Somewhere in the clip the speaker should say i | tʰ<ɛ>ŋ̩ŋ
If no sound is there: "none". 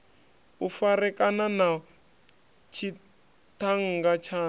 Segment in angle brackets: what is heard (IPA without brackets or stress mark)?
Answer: a